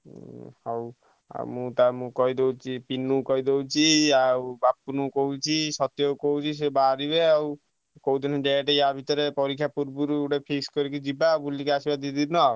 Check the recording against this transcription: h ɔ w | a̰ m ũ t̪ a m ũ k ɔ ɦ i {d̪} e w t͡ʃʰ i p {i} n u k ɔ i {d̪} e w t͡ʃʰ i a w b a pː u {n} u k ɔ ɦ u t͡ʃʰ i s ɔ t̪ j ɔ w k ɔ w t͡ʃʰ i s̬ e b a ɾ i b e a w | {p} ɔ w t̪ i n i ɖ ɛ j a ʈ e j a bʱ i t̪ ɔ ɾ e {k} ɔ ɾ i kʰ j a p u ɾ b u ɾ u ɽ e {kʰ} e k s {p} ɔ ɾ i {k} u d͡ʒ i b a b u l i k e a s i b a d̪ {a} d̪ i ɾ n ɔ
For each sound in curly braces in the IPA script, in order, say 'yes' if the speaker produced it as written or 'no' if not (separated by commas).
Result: yes, yes, yes, yes, no, no, no, no, yes, no